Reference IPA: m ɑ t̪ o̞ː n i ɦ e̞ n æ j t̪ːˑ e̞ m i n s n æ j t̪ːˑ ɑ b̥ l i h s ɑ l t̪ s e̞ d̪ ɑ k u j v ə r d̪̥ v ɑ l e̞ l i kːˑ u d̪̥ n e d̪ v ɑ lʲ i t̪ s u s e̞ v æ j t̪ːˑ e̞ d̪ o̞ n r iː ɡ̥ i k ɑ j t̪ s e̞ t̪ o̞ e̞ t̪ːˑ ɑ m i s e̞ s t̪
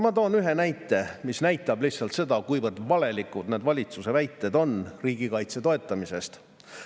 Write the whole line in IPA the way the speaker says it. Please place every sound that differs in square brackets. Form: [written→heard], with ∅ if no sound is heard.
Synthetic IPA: m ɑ t̪ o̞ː n [i→y] ɦ e̞ n æ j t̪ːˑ e̞ m i [n→∅] s n æ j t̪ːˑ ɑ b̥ l i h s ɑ l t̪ s e̞ d̪ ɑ k u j v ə r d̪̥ v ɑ l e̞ l i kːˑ u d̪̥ n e d̪ v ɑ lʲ i t̪ s u s e̞ v æ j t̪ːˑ e̞ d̪ o̞ n r iː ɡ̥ i k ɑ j t̪ s e̞ t̪ o̞ e̞ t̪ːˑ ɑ m i s e̞ s t̪

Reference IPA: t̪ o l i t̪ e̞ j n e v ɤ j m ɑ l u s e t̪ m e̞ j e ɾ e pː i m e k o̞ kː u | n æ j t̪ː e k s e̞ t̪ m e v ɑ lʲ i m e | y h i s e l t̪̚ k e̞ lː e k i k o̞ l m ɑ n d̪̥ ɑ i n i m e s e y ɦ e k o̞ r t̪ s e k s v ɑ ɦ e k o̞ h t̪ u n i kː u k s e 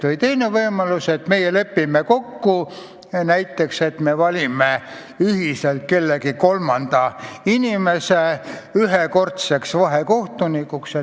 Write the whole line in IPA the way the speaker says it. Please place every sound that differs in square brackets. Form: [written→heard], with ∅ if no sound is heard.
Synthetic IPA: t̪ o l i t̪ e̞ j n e v ɤ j m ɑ l u s e t̪ m e̞ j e [ɾ→l] e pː i m e k o̞ kː u | n æ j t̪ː e k s e̞ t̪ m e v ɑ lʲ i m e | y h i s e l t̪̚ k e̞ lː e k i k o̞ l m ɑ n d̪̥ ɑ i n i m e s e y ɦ e k o̞ r t̪ s e k s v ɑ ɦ e k o̞ h t̪ u n i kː u k s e

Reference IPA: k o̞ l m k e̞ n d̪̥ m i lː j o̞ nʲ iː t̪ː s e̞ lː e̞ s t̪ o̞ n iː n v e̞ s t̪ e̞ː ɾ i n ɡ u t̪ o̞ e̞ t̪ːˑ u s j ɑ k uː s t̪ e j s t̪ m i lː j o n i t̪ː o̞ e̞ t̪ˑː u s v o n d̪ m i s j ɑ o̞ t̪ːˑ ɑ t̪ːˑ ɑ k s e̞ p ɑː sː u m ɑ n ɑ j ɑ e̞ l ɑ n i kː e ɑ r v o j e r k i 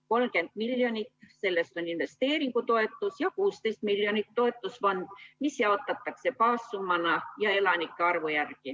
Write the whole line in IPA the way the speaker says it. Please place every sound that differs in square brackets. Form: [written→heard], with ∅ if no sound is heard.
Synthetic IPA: k o̞ l m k e̞ n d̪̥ m i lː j o̞ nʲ [iː→i] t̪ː s e̞ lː e̞ s t̪ o̞ n [iː→i] n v e̞ s t̪ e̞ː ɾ i [n→ŋ] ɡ u t̪ o̞ e̞ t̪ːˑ u s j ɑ k uː s t̪ e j s t̪ m i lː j o n i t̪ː o̞ e̞ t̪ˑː u s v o n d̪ m i s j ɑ o̞ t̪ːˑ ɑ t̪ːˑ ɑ k s e̞ p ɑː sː u m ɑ n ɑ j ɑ e̞ l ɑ n i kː e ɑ r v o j [e→æ] r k i

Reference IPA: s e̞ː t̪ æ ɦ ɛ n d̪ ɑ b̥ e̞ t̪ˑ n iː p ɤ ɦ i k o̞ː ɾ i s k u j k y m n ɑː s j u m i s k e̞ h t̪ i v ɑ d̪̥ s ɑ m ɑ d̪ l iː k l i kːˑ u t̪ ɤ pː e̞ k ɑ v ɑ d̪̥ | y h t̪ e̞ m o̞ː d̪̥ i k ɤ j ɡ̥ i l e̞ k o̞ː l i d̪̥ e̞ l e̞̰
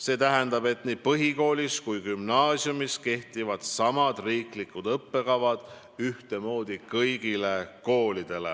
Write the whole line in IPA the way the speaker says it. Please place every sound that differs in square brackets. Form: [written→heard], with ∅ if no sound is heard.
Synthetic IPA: s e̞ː t̪ æ ɦ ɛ n d̪ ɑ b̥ e̞ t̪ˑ n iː p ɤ ɦ i k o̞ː [ɾ→l] i s k u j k y m n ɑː s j u m i s k e̞ h t̪ i v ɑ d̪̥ s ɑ m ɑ d̪ [l→r] iː k l i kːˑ u [t̪→d̪] ɤ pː e̞ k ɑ v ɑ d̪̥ | y h t̪ e̞ m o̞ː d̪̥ i k ɤ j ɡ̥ i l e̞ k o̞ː l i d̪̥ e̞ l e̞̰

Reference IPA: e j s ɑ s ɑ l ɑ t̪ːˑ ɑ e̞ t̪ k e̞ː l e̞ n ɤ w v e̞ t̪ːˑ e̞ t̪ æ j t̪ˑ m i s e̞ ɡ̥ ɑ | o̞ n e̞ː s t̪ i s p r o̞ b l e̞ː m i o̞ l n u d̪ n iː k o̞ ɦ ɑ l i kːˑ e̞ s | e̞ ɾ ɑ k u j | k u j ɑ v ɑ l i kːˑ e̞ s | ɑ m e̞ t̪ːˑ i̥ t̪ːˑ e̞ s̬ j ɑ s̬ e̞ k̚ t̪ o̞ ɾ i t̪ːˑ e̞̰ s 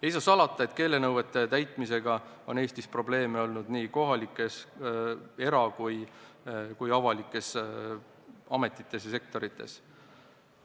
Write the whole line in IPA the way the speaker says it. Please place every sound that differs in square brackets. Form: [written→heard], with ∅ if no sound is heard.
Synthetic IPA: e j s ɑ s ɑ l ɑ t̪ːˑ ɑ e̞ t̪ k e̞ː l e̞ n ɤ w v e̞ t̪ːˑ e̞ t̪ æ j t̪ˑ m i s e̞ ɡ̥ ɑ | o̞ n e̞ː s t̪ i s p r o̞ b l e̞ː m [i→e] o̞ l n u d̪ n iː k o̞ ɦ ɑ l i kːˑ e̞ s | e̞ ɾ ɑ k u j | k u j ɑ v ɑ l i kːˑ e̞ s | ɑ m e̞ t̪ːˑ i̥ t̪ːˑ e̞ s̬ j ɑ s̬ e̞ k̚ t̪ o̞ ɾ i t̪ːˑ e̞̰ s

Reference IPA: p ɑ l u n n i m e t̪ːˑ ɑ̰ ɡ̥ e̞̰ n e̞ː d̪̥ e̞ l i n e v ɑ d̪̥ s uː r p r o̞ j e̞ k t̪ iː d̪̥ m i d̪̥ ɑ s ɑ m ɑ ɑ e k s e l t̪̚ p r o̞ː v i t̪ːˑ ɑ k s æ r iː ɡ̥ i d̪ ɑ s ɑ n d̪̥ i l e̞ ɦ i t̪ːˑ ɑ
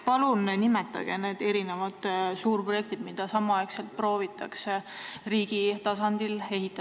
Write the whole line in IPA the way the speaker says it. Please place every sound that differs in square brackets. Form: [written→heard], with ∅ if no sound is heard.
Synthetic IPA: p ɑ l u n n i m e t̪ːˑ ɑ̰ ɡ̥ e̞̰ n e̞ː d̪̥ e̞ [l→ɾ] i n e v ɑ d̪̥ s uː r p r o̞ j e̞ k t̪ [iː→i] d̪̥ m i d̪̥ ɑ s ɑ m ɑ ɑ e k s e l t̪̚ p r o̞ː v i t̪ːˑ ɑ k s [æ→e] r iː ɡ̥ i [d̪→t̪] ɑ s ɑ n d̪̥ i l e̞ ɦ i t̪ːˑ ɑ

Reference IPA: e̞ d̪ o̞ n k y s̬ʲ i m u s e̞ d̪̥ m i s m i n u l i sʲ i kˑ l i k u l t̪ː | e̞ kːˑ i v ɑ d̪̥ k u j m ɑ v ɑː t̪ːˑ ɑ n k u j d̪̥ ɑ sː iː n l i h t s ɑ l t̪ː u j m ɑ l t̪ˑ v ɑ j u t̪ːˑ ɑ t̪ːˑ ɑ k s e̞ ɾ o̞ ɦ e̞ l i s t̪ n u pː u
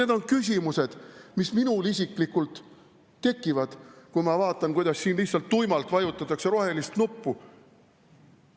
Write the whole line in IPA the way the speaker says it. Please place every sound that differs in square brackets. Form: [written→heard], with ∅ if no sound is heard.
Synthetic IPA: e̞ d̪ o̞ n k y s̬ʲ i m u s e̞ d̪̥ m i s m i n u l i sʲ i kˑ l i k u l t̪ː | e̞ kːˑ i v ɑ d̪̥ k u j m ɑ v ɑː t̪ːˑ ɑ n k u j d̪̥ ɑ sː iː n l i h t s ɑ l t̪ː u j m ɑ l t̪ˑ v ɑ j u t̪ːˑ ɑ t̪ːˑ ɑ k s e̞ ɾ o̞ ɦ e̞ l i s t̪ n u pː u

